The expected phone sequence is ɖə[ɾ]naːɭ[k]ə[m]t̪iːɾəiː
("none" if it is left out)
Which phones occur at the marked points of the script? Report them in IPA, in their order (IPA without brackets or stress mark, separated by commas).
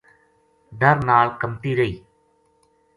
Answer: ɾ, k, m